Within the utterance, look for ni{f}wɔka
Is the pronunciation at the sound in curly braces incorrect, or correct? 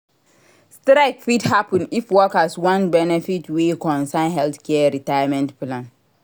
correct